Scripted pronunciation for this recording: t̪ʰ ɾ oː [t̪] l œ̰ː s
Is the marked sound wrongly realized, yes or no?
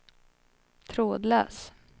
yes